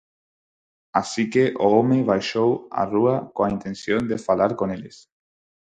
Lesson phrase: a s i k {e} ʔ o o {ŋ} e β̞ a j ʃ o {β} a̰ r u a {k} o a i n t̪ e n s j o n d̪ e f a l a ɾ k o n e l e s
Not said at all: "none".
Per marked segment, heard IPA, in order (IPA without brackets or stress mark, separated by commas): e, m, w, k